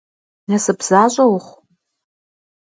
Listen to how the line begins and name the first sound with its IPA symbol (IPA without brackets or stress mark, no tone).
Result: n